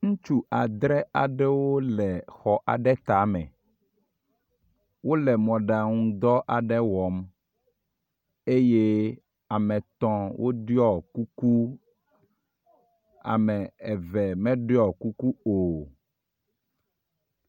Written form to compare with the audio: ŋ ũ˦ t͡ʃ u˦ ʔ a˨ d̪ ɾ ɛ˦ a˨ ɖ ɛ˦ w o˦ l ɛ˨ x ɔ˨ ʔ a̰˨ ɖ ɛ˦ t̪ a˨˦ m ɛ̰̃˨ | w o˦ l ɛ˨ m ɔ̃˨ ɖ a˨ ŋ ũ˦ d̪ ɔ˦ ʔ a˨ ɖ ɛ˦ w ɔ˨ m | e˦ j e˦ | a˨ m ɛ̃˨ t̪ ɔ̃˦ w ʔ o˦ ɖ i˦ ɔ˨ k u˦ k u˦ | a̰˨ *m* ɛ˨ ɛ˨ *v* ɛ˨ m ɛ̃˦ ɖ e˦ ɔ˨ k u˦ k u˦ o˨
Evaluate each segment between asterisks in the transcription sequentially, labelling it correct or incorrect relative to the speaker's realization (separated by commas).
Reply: correct, correct